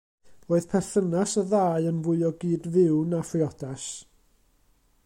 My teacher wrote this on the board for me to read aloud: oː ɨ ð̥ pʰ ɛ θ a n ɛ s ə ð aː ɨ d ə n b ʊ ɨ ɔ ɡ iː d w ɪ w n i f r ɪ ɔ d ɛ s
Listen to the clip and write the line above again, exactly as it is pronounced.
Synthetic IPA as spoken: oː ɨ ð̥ pʰ ɛ θ ə n a s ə ð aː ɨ ə n v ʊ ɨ ɔ ɡ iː d v ɪ w n a f r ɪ ɔ d a s